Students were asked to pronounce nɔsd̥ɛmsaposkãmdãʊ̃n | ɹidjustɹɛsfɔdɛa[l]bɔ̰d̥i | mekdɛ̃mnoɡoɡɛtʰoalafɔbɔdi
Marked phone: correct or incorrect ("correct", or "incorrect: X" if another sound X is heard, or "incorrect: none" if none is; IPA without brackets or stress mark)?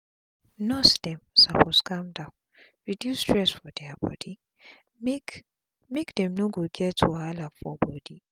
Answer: incorrect: none